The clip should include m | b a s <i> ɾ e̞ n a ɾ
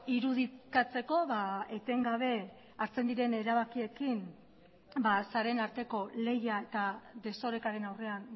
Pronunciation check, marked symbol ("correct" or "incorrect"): incorrect